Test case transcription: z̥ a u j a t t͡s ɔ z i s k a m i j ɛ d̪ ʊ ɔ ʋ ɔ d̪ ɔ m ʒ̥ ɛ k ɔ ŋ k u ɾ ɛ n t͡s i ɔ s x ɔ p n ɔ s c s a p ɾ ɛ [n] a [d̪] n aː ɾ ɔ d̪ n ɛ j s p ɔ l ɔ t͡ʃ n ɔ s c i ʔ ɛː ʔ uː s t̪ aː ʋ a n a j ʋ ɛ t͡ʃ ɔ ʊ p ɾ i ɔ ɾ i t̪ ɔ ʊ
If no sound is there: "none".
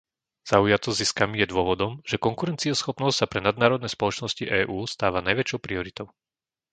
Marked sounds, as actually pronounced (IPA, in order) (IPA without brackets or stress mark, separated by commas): n, d̪